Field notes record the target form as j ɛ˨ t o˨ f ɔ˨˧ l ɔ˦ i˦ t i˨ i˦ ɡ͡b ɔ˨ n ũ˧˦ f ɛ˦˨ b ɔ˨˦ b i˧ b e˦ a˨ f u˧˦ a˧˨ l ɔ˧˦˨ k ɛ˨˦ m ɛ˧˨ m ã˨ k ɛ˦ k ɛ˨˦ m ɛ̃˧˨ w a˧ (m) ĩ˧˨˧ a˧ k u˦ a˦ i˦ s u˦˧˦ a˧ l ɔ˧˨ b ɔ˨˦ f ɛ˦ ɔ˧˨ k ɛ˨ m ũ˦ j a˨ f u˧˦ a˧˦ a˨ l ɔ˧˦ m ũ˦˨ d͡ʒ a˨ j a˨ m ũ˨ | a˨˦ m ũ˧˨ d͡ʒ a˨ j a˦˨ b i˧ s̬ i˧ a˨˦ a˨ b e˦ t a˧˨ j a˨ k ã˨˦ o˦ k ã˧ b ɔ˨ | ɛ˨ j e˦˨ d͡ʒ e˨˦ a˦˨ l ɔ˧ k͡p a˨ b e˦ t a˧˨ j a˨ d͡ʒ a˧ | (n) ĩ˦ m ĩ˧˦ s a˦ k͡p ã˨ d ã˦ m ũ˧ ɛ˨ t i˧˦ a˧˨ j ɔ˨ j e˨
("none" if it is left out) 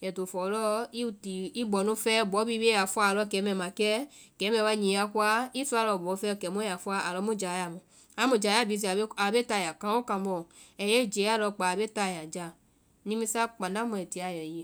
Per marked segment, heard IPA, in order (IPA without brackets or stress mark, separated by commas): ɲ, n